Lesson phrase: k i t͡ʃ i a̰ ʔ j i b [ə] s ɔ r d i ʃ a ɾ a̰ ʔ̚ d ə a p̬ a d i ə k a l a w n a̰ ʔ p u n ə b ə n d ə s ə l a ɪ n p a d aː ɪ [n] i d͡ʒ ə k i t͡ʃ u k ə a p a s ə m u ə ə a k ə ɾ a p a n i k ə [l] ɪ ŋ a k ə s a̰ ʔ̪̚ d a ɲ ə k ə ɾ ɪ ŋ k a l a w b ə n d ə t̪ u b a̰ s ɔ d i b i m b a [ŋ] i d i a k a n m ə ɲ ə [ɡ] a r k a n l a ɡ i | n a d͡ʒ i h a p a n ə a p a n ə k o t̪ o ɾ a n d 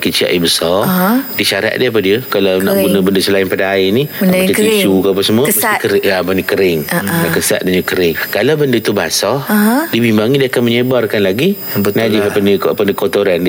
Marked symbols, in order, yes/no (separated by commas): yes, yes, no, yes, no